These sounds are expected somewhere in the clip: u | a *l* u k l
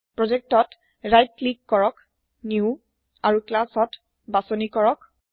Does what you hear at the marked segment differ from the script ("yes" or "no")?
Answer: yes